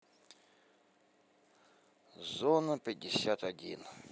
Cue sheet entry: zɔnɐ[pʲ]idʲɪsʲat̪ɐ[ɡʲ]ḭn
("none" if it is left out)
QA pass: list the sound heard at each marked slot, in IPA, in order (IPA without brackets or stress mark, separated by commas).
pʲ, dʲ